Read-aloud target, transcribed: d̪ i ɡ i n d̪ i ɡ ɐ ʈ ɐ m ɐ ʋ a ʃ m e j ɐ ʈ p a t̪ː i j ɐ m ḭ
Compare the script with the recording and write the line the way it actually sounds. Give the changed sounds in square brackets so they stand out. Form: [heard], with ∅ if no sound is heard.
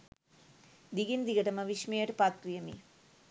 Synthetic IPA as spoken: d̪ i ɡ i n d̪ i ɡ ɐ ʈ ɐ m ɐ ʋ [i] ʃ m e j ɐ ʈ p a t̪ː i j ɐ m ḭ